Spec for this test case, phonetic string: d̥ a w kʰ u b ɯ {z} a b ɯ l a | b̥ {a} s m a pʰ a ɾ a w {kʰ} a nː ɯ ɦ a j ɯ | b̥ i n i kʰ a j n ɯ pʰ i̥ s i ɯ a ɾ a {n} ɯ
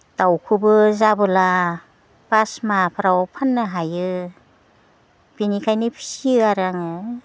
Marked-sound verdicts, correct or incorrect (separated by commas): correct, correct, incorrect, incorrect